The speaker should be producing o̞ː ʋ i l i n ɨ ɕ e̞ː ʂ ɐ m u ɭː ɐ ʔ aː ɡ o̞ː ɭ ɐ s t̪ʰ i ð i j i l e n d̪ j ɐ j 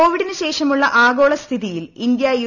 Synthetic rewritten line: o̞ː ʋ i ɽ i n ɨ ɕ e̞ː ʂ ɐ m u ɭː ɐ ʔ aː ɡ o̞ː ɭ ɐ s t̪ʰ i ð i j i l i n d̪ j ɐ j